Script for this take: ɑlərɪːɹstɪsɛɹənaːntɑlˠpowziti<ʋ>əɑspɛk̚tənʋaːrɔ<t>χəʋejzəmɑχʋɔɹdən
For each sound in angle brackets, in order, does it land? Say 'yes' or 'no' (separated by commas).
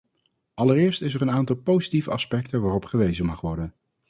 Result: no, no